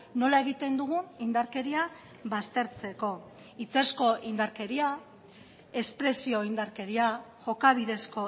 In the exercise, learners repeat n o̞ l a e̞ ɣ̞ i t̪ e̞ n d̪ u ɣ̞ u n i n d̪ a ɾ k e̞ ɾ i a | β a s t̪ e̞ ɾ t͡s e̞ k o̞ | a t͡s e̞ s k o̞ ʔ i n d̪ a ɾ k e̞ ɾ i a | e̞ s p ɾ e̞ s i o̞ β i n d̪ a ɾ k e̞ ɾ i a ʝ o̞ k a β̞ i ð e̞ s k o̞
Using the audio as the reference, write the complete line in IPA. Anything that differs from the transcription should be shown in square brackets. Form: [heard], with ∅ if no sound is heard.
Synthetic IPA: n o̞ l a e̞ ɣ̞ i t̪ e̞ n d̪ u ɣ̞ u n i n d̪ a ɾ k e̞ ɾ i a | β a s t̪ e̞ ɾ t͡s e̞ k o̞ | [i] t͡s e̞ s k o̞ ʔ i n d̪ a ɾ k e̞ ɾ i a | e̞ s p ɾ e̞ s i o̞ [∅] i n d̪ a ɾ k e̞ ɾ i a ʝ o̞ k a β̞ i ð e̞ s k o̞